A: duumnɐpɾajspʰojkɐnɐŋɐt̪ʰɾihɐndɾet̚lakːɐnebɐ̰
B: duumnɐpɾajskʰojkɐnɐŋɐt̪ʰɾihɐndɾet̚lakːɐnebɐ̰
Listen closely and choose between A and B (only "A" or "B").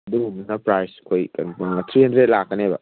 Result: B